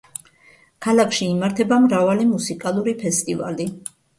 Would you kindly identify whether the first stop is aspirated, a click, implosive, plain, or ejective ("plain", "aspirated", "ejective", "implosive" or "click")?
aspirated